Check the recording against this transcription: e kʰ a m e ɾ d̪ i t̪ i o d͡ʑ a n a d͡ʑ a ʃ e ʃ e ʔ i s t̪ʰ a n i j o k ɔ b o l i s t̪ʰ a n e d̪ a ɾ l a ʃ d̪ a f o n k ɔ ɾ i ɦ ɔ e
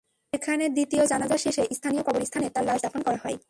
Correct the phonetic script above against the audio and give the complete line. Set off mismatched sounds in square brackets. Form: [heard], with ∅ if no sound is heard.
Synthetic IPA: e kʰ a [n] e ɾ d̪ i t̪ i o d͡ʑ a n a d͡ʑ a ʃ e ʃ e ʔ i s t̪ʰ a n i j o k ɔ b o [ɾ] i s t̪ʰ a n e [t̪] a ɾ l a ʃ d̪ a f o n k ɔ ɾ [a] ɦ ɔ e